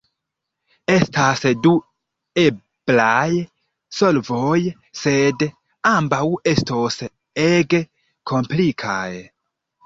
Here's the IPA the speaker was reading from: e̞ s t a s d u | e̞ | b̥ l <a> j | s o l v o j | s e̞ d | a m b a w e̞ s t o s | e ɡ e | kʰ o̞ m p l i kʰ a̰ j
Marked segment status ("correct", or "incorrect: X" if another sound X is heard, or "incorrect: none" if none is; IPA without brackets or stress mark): correct